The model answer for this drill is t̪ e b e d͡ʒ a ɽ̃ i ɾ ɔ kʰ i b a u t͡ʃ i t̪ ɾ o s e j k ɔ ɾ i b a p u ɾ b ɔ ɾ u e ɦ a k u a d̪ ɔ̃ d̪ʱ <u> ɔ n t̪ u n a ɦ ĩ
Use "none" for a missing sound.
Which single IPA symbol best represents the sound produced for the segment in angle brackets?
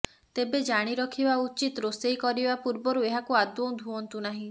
u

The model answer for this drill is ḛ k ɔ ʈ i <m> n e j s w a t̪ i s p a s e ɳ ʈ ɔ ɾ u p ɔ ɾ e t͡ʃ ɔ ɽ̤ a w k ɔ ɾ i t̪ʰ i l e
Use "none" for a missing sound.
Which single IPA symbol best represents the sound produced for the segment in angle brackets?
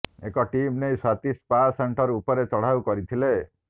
m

